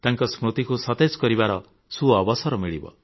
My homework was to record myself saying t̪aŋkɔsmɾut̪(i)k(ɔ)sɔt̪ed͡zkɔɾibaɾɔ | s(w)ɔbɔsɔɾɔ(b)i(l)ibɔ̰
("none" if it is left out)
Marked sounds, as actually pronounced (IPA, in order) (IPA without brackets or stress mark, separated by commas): i, u, u, m, ɭ